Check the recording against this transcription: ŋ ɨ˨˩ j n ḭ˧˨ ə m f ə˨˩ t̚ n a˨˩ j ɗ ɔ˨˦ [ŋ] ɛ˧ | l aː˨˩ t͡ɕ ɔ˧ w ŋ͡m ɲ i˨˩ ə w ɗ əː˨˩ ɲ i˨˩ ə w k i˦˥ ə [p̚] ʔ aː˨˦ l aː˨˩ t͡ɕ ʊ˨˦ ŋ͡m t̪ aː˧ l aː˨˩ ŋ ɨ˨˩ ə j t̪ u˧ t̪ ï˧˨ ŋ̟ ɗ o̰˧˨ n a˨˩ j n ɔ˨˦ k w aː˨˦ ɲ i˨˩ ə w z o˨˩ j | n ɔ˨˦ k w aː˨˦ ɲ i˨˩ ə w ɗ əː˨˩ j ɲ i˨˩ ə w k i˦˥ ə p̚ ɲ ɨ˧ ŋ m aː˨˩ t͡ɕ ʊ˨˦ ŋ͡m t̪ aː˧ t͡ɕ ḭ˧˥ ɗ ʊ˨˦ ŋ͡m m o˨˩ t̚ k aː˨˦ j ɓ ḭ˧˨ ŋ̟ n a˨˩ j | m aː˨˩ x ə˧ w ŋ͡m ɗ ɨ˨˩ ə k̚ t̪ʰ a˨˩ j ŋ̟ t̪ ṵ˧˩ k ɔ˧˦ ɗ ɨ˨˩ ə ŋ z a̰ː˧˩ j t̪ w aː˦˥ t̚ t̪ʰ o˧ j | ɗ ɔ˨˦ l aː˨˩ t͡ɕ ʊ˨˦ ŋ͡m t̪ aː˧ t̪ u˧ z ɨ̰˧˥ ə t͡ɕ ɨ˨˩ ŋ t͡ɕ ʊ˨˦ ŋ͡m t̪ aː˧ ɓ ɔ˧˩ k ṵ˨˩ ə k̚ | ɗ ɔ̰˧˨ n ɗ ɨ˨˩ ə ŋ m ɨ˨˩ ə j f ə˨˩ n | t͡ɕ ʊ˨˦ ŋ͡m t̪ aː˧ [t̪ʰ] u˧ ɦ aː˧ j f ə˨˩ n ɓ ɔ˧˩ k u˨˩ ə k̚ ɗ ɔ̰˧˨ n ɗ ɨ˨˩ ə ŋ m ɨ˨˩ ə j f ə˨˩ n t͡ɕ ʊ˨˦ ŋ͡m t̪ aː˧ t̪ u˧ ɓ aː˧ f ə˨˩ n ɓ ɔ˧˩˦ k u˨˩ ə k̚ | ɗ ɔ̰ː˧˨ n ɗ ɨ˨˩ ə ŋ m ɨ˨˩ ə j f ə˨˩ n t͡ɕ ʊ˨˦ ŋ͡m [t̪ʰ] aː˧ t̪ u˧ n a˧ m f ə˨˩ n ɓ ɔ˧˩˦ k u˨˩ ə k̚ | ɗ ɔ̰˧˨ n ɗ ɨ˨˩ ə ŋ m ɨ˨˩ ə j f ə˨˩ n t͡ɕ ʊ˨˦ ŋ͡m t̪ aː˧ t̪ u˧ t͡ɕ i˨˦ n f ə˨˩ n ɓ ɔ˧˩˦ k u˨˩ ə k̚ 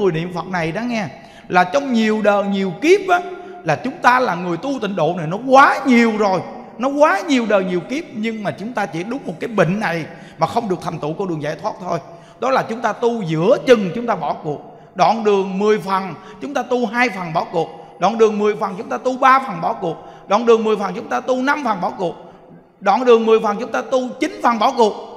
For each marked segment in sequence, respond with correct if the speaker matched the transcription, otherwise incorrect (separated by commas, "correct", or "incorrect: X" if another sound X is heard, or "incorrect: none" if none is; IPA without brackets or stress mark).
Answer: correct, correct, incorrect: t̪, incorrect: t̪